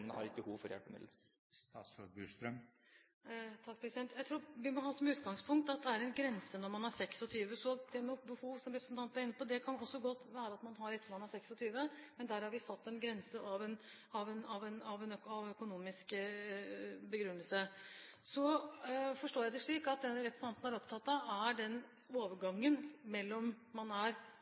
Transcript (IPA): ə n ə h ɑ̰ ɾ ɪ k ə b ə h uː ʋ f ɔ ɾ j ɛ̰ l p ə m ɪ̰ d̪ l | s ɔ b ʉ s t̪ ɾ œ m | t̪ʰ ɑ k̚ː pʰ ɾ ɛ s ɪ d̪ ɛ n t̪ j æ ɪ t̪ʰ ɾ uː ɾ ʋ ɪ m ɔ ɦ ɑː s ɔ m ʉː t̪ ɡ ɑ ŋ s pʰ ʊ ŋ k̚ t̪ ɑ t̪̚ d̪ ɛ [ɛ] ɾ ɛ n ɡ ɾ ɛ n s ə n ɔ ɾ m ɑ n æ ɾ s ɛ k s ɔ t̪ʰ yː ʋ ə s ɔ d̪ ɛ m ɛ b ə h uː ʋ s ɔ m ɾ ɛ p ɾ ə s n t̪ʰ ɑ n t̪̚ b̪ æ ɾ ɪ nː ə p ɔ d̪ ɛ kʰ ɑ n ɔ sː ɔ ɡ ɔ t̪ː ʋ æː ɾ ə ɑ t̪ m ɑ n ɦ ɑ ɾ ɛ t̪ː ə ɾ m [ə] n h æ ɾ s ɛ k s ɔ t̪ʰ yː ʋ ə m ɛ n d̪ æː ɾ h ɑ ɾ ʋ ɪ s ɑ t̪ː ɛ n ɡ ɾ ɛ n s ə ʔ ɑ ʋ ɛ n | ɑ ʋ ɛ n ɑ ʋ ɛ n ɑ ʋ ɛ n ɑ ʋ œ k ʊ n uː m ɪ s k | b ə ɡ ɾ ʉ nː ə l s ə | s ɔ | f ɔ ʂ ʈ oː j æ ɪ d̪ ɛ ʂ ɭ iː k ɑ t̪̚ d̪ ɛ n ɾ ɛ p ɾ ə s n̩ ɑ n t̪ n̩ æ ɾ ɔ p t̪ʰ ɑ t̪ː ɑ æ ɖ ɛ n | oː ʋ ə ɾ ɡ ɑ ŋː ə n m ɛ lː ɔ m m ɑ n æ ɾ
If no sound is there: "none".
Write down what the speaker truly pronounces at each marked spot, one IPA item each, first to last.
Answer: æ, ɑ

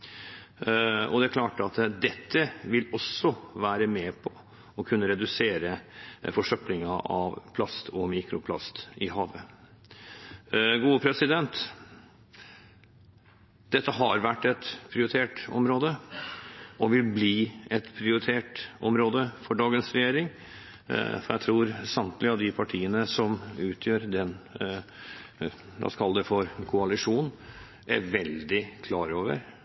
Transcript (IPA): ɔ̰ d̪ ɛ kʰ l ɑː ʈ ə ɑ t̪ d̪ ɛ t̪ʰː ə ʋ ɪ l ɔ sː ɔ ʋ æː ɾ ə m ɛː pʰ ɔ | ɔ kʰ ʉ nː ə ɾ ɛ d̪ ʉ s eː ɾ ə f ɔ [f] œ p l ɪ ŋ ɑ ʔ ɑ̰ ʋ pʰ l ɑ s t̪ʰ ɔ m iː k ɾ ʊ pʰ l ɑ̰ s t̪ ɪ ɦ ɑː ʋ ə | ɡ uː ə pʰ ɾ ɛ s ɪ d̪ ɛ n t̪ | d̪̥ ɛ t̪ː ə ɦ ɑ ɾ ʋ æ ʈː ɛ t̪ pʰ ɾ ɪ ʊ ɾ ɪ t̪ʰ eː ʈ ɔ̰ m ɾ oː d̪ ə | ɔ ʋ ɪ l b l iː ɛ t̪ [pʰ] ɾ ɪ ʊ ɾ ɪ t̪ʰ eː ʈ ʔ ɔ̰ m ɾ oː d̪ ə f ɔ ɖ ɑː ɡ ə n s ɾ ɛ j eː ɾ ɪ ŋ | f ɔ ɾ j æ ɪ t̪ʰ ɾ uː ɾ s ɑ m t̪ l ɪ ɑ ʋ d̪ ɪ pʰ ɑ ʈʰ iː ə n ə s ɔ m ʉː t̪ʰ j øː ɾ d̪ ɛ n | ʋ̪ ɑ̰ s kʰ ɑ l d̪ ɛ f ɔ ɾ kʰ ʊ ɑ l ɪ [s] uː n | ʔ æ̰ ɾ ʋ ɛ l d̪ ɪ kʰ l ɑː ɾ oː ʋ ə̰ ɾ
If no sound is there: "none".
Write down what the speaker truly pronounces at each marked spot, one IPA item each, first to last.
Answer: ʂ, pʰ, ʂ

